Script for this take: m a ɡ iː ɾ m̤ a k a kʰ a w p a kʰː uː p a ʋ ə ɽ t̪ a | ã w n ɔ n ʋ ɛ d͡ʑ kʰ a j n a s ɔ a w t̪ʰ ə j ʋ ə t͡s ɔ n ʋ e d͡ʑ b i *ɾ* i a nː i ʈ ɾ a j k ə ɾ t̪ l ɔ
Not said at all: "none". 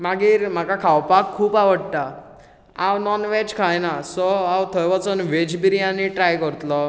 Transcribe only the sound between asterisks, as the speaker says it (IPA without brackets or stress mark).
ɾ